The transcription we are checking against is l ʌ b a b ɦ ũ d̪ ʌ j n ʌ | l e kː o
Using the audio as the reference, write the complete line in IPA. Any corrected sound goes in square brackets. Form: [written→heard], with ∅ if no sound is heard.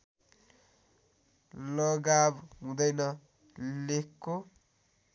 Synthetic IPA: l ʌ [b→ɡ] a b ɦ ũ d̪ ʌ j n ʌ | l e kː o